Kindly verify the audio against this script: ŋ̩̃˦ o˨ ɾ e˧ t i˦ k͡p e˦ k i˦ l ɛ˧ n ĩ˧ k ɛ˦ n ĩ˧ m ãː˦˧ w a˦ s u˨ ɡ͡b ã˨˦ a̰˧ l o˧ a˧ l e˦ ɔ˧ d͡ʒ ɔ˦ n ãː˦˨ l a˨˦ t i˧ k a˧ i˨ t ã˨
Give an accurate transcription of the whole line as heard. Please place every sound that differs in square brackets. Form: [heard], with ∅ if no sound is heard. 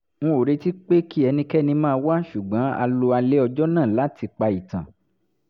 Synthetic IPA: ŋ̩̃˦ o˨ ɾ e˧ t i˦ k͡p e˦ k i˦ [∅] ɛ˧ n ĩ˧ k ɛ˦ n ĩ˧ m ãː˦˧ w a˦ [ʃ] u˨ ɡ͡b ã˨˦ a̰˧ l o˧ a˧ l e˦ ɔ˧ d͡ʒ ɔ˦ n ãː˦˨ l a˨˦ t i˧ [k͡p] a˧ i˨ t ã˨